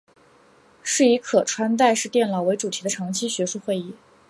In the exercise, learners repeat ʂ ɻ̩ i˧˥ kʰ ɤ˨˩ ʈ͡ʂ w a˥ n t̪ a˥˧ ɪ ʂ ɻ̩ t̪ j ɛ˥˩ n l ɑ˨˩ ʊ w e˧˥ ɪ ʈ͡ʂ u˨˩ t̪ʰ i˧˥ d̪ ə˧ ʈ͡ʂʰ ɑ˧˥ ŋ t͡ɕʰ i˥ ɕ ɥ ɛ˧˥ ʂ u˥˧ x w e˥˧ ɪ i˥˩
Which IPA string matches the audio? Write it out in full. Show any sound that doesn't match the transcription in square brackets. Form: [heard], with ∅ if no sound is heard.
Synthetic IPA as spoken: ʂ ɻ̩ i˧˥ kʰ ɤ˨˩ [ʈ͡ʂʰ] w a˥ n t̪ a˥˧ ɪ ʂ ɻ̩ t̪ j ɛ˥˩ n l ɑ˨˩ ʊ w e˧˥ ɪ ʈ͡ʂ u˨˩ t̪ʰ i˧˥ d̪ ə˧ ʈ͡ʂʰ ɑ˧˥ ŋ t͡ɕʰ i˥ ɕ ɥ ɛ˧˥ ʂ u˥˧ x w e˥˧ ɪ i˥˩